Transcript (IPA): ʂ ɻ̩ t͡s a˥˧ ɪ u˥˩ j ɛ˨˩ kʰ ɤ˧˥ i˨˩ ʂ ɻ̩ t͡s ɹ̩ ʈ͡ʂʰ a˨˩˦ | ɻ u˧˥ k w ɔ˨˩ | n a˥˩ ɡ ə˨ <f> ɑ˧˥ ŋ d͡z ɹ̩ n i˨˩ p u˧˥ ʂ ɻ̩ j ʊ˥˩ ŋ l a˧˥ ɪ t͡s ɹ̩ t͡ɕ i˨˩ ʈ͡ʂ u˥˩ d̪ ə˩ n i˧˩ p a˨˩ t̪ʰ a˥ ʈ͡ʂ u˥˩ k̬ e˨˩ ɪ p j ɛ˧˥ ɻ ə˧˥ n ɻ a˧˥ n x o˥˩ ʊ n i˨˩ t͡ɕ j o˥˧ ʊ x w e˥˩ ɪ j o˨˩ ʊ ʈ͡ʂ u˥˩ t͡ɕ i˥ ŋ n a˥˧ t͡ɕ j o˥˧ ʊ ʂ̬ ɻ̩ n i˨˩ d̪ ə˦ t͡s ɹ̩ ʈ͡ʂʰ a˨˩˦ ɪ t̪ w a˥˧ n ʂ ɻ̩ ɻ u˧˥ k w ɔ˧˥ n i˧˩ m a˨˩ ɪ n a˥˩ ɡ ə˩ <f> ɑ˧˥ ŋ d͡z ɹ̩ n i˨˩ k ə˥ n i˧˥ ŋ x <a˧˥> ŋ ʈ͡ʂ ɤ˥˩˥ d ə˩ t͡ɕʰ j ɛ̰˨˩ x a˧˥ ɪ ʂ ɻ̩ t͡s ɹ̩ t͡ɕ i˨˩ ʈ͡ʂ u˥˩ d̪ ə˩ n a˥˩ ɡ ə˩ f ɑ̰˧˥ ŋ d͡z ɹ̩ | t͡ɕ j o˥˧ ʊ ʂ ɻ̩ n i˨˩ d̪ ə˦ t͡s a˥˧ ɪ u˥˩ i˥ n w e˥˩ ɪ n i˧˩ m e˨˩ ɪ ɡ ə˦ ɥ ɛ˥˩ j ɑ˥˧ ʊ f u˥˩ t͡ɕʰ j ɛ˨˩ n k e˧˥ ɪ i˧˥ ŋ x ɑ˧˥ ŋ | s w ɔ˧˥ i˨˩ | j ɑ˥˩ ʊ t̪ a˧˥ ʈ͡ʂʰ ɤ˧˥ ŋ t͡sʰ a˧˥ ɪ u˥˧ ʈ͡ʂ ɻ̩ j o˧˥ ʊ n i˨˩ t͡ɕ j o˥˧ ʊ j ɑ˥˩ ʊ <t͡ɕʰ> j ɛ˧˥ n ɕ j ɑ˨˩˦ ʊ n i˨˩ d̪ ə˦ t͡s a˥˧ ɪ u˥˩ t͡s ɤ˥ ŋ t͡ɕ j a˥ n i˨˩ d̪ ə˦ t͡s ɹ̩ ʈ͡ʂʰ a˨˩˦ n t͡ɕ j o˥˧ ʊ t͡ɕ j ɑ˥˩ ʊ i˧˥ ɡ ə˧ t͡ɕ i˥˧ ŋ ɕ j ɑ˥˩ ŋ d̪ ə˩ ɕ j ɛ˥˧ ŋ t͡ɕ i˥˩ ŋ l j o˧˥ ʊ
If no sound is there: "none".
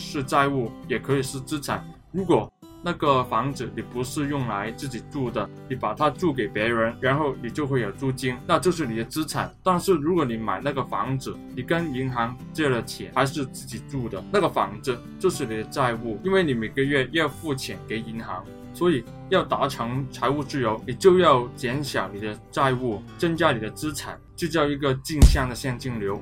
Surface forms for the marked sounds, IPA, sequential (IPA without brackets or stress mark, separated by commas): f, f, ɑ˧˥, t͡ɕ